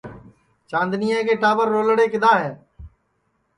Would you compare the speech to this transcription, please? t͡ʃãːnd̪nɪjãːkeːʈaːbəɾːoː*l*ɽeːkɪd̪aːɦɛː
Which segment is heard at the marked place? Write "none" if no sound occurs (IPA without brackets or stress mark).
l